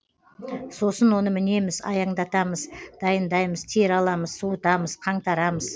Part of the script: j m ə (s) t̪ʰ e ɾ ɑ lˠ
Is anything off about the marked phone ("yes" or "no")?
yes